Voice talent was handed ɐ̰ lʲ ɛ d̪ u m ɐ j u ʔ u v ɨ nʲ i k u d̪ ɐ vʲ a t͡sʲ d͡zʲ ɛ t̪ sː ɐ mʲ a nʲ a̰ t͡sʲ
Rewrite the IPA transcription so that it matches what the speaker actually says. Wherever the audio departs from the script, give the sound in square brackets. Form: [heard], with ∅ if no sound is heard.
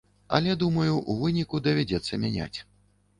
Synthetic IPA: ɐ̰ lʲ ɛ d̪ u m ɐ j u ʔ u v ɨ nʲ i k u d̪ ɐ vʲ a [∅] d͡zʲ ɛ t̪ sː ɐ mʲ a nʲ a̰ t͡sʲ